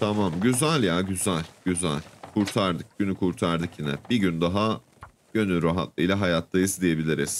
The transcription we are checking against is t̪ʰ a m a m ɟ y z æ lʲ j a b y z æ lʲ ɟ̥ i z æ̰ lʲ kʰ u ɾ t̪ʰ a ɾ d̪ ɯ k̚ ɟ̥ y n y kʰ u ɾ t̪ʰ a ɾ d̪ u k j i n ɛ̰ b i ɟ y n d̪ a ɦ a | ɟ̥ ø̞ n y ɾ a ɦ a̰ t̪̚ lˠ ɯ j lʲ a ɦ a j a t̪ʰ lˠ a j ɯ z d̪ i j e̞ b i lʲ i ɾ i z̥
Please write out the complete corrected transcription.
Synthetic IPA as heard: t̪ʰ a m a m ɟ y z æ lʲ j a ɟ y z æ lʲ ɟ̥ y z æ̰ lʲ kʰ u ɾ t̪ʰ a ɾ d̪ ɯ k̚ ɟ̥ y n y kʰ u ɾ t̪ʰ a ɾ d̪ ɯ k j i n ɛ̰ b i ɟ y n d̪ a ɦ a | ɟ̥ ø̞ n y ɾ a ɦ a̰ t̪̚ lˠ ɯ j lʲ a ɦ a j a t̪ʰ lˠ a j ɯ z d̪ i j e̞ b i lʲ i ɾ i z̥